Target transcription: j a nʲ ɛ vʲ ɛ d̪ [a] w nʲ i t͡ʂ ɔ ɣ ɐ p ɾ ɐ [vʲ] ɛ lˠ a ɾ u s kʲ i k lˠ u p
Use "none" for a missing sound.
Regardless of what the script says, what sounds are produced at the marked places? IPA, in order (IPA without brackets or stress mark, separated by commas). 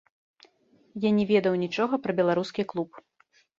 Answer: ɐ, bʲ